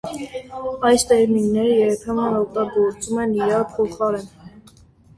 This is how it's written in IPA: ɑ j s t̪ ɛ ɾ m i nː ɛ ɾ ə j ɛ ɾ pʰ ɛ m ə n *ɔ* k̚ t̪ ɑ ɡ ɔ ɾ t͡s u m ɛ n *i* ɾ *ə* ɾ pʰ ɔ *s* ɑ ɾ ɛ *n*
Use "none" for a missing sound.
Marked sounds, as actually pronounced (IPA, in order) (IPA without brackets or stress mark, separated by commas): ɔ, i, ɑ, χ, n